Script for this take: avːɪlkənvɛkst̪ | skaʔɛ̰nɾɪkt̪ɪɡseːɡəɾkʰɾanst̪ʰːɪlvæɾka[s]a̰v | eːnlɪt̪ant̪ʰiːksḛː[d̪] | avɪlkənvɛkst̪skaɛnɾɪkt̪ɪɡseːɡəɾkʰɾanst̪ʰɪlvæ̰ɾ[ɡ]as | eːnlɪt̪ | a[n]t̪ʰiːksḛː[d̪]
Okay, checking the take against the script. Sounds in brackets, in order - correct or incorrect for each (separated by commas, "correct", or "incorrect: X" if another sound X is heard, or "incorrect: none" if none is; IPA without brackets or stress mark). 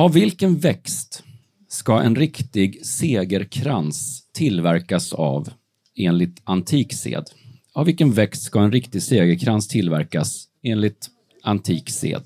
correct, correct, incorrect: k, correct, correct